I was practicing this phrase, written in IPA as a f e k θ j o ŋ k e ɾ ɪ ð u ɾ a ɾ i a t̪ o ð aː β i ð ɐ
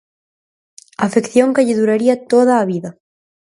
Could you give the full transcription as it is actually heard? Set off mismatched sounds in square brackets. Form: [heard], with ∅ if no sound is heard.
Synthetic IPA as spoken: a f e k θ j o ŋ k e [ʎ] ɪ ð u ɾ a ɾ i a t̪ o ð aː β i ð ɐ